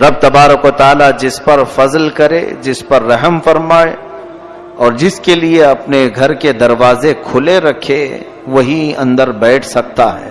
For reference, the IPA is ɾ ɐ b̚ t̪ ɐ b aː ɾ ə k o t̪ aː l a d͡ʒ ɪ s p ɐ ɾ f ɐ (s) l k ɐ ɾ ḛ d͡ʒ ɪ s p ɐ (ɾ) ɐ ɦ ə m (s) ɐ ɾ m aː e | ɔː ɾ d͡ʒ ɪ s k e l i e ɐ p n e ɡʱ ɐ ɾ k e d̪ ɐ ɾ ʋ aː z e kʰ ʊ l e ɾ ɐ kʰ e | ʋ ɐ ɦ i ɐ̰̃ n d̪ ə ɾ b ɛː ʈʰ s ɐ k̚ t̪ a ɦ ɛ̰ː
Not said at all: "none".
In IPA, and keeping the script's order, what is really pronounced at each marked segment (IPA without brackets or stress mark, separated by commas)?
z, ɾː, f